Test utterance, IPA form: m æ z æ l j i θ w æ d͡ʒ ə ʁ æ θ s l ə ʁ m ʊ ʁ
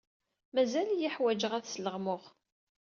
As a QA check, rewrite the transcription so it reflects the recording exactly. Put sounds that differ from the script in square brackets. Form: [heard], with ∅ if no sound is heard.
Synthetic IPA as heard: m æ z æ l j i [ħ] w æ d͡ʒ ə ʁ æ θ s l ə ʁ m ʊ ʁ